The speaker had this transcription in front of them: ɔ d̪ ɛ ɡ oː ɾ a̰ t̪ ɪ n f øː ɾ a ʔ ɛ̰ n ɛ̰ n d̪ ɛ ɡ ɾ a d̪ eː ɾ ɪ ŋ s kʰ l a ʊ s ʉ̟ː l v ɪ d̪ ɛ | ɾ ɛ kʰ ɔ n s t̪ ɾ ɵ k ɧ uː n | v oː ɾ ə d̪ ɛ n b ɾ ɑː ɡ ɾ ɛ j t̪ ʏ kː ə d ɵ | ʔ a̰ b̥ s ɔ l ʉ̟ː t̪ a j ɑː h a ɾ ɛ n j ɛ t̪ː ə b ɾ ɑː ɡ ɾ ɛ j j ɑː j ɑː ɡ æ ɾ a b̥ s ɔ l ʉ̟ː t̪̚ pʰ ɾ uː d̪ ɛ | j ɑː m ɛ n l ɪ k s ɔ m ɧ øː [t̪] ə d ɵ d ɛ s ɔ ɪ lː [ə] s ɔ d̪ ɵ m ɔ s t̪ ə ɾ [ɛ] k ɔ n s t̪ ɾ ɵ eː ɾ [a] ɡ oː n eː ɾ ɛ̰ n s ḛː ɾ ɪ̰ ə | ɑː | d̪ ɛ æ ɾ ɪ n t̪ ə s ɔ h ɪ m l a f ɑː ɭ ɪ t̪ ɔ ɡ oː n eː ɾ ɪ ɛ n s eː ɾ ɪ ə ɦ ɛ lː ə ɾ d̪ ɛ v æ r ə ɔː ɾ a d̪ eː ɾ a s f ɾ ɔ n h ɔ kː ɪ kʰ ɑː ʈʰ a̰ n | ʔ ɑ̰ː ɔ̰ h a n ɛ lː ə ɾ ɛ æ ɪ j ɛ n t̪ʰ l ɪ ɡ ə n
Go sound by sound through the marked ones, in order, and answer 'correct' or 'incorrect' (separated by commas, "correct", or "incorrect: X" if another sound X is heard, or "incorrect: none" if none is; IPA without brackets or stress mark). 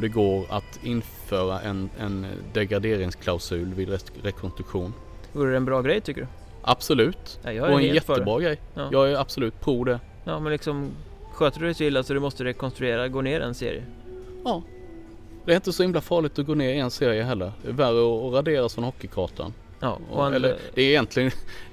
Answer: correct, incorrect: a, correct, correct